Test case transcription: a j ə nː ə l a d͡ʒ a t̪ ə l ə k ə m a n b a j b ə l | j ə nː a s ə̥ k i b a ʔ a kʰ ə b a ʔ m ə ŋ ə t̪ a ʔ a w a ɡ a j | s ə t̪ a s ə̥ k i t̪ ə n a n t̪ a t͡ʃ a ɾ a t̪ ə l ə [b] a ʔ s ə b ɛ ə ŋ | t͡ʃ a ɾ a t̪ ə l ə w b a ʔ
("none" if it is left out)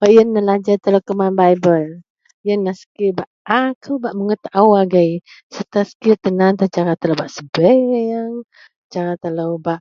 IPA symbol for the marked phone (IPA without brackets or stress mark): b